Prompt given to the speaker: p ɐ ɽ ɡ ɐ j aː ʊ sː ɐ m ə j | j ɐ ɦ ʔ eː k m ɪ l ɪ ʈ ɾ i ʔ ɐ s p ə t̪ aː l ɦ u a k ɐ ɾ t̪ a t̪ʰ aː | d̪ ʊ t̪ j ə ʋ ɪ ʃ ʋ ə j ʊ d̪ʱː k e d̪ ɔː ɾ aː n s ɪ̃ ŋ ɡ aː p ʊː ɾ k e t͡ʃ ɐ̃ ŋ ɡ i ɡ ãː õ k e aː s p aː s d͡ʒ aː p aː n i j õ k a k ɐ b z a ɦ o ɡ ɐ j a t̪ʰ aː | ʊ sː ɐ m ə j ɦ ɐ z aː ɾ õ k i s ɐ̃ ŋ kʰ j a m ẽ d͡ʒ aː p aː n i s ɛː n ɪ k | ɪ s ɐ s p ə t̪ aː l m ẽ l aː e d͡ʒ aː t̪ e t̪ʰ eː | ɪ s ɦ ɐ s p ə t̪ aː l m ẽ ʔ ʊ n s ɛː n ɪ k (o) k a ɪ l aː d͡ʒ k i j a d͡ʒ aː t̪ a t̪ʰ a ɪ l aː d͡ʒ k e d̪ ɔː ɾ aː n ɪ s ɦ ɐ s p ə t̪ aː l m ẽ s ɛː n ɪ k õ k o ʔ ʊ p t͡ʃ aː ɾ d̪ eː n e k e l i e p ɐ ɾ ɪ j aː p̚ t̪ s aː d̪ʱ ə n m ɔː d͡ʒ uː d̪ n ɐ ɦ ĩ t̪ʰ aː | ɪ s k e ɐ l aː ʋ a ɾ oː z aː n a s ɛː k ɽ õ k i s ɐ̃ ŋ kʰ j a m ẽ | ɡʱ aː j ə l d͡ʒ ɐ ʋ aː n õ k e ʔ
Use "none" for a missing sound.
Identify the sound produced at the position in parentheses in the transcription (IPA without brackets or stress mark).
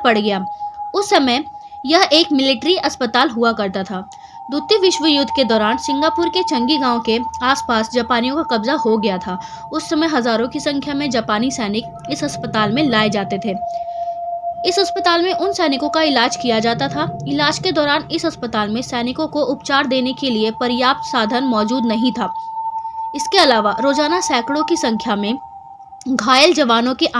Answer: õ